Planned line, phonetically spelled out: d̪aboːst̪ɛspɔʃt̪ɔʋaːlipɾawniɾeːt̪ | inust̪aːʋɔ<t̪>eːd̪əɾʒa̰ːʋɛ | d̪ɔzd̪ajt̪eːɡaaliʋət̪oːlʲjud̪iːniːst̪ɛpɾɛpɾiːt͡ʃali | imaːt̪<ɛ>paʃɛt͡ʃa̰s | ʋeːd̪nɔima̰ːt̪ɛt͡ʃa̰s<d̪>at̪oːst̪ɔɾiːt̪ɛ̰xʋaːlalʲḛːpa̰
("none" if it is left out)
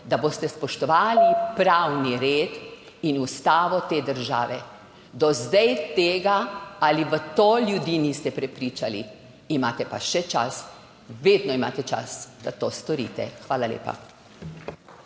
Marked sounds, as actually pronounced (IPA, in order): t̪, ɛ, d̪

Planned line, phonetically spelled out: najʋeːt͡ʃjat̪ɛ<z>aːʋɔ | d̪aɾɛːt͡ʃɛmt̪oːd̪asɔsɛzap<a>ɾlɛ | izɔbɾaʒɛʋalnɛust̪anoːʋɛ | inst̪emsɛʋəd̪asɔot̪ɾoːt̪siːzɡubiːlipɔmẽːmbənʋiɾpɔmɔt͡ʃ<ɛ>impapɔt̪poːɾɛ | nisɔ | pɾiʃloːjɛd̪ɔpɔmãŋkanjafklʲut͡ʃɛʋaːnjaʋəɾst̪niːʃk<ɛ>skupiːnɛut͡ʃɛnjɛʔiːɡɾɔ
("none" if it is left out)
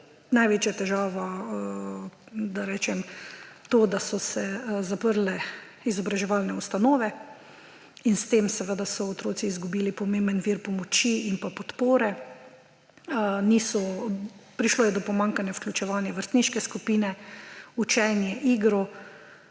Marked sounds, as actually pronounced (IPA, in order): ʒ, ə, i, ɛ

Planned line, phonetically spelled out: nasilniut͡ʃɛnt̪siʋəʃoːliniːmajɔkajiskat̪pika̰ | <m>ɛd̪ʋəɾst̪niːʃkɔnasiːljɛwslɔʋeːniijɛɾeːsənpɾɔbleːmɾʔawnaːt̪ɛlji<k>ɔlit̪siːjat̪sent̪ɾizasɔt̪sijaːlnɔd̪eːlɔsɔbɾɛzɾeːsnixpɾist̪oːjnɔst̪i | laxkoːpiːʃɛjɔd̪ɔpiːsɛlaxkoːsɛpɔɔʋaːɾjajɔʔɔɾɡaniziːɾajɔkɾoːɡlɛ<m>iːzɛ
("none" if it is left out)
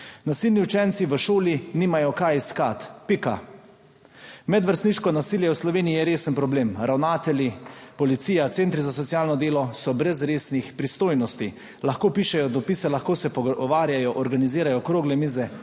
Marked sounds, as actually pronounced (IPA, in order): m, p, m

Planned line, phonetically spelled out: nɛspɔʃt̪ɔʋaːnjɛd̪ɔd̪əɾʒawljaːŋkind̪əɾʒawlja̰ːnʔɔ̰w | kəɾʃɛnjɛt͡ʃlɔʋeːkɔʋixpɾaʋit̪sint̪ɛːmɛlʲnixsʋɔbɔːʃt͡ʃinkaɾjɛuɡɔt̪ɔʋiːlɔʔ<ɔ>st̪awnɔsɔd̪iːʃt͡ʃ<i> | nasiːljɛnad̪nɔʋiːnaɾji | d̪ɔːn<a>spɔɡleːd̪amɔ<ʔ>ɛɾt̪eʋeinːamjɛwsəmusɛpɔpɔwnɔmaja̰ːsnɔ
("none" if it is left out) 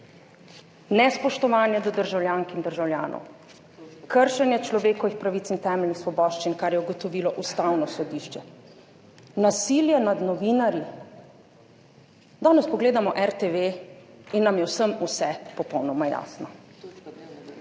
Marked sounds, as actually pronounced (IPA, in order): u, ɛ, ɛ, ʔ

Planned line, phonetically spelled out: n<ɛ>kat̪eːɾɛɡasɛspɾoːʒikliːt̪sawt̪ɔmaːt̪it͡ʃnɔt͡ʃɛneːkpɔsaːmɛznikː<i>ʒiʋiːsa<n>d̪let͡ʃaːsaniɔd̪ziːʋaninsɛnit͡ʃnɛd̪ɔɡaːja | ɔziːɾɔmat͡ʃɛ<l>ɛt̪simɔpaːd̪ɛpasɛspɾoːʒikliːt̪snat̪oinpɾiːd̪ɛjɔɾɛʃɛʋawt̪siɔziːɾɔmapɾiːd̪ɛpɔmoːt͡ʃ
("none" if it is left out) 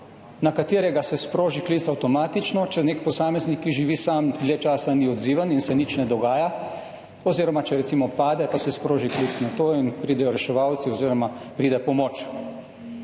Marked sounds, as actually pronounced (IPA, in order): a, i, m, ɾ

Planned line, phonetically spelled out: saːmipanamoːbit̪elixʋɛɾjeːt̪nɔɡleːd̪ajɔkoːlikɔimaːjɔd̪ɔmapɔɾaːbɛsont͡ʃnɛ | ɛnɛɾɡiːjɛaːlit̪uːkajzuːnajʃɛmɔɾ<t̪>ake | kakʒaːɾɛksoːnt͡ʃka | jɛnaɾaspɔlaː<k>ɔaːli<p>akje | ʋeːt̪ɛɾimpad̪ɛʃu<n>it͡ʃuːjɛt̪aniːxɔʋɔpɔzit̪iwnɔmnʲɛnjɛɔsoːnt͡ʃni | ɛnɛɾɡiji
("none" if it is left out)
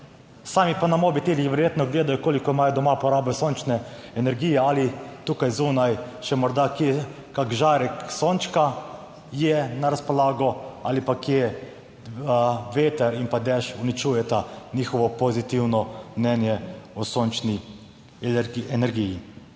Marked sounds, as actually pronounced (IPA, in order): d̪, ɡ, p, n

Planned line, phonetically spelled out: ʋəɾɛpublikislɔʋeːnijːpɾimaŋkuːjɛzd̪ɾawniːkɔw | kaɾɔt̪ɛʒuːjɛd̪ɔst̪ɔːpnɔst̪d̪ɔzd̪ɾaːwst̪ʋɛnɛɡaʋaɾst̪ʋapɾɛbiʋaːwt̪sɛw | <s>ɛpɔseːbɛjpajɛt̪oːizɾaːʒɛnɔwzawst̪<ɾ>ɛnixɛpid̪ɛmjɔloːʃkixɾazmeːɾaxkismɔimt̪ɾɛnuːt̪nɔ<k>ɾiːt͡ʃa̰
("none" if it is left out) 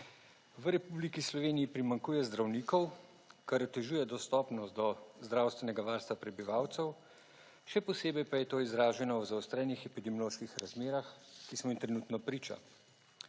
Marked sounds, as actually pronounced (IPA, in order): ʃ, ɾ, p

